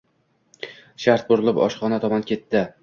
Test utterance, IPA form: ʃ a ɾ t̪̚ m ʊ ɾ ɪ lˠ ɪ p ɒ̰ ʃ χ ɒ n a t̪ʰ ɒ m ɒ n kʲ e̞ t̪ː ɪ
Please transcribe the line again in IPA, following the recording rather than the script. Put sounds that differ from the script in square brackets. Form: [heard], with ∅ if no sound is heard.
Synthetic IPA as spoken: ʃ a ɾ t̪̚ [b] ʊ ɾ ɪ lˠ ɪ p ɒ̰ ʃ χ ɒ n a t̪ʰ ɒ m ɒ n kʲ e̞ t̪ː ɪ